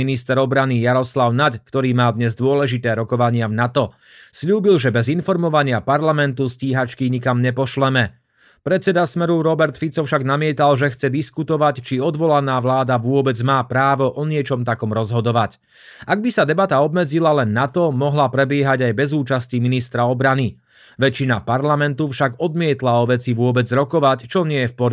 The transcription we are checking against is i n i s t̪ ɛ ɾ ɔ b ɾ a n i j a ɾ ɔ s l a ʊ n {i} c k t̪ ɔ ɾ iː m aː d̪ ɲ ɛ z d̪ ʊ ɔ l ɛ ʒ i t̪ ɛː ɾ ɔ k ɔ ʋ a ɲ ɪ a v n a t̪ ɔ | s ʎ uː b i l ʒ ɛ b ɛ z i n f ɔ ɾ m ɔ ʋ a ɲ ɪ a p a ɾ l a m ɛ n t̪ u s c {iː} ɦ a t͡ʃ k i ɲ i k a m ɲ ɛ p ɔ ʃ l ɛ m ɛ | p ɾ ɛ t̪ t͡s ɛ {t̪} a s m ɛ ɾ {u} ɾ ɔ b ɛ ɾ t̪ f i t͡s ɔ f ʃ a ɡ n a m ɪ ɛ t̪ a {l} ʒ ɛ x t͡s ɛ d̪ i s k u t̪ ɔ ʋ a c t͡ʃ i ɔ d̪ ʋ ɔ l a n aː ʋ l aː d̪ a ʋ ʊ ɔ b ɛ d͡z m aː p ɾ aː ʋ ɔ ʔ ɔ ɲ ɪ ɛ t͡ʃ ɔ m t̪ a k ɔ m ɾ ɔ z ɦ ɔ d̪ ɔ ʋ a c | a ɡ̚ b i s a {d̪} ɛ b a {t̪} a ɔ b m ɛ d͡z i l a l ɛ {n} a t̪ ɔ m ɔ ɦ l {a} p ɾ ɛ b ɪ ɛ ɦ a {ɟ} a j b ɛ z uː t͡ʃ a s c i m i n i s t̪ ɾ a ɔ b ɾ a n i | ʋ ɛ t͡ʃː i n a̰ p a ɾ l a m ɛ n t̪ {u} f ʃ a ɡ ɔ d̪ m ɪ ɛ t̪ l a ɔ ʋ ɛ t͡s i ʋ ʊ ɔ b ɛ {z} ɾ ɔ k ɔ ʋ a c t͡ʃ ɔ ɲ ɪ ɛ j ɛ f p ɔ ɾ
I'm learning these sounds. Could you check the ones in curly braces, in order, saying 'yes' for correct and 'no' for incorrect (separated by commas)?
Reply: no, yes, no, yes, yes, yes, yes, no, yes, yes, yes, no